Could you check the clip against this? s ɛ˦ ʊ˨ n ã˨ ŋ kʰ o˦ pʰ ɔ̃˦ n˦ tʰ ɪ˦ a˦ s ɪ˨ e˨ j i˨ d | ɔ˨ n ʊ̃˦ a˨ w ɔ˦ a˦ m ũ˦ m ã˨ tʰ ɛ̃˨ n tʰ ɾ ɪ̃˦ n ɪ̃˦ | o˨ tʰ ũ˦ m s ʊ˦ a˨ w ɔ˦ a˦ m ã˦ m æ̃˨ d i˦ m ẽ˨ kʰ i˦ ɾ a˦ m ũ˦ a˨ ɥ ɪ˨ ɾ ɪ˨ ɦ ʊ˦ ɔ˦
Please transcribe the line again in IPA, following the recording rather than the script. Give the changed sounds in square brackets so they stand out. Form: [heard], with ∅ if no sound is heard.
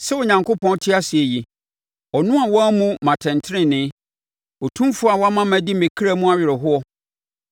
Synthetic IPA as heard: s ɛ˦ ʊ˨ [ɲ] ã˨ ŋ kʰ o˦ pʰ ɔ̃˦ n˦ tʰ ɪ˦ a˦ s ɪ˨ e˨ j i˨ [∅] | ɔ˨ n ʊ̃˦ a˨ w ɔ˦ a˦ m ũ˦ m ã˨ tʰ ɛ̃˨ n tʰ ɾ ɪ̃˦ n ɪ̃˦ | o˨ tʰ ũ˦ m [f] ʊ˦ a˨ w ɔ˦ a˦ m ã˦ m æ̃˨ d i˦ m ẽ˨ kʰ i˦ ɾ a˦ m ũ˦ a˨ ɥ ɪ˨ ɾ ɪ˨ ɦ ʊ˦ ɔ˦